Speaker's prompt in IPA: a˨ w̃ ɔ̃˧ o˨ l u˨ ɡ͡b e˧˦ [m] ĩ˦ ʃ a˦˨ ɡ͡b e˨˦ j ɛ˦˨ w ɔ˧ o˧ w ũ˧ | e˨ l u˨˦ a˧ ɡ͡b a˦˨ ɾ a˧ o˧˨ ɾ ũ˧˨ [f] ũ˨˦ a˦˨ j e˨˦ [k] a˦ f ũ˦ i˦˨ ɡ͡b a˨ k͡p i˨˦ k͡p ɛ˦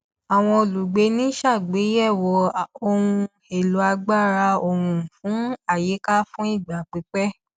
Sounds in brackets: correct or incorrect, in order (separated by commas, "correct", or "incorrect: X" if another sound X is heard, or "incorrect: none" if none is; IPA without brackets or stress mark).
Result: incorrect: n, correct, correct